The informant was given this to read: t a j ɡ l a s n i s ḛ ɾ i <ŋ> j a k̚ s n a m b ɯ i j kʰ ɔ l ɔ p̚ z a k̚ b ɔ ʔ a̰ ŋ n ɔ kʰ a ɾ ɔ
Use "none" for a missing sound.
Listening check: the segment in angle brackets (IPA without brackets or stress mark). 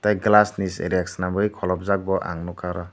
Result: none